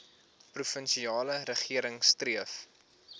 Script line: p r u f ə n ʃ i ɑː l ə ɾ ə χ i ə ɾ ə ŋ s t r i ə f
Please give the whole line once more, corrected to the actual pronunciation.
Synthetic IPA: p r u f ə n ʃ i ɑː l ə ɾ ə χ i ə ɾ ə ŋ s t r i ə f